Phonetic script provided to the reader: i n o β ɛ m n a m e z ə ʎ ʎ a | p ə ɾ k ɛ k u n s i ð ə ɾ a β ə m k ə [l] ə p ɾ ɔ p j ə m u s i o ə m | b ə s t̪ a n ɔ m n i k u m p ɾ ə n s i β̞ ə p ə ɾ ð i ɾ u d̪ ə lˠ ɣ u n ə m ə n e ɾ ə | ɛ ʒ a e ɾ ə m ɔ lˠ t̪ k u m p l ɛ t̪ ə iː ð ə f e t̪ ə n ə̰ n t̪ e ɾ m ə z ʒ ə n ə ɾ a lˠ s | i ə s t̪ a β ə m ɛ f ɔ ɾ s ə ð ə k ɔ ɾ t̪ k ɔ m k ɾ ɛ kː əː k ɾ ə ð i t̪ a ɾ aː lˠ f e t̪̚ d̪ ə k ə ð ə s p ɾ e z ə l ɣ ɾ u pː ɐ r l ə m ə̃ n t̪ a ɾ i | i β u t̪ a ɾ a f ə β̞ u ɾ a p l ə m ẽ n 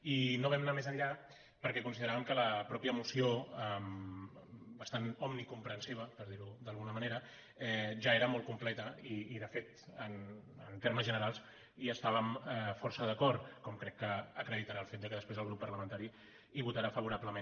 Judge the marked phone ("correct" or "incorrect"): correct